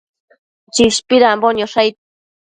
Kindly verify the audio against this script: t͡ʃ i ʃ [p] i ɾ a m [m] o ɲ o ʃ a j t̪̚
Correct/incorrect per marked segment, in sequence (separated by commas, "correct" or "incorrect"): correct, incorrect